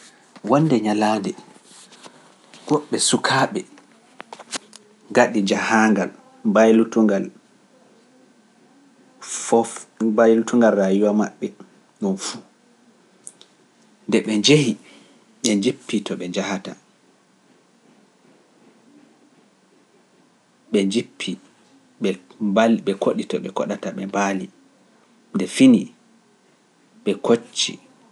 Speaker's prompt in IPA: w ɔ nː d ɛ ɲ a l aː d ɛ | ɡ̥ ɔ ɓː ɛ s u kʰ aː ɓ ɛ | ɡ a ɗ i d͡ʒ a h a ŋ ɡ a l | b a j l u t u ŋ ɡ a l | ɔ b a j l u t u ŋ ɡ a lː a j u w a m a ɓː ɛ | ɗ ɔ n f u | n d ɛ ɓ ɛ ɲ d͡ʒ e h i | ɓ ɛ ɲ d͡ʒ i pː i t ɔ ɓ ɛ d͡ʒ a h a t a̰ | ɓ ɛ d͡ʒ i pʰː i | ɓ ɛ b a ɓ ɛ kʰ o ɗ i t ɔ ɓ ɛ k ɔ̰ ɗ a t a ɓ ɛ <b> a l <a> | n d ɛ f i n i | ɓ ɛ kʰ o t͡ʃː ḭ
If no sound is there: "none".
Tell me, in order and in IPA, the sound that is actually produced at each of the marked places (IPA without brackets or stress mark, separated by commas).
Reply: b, i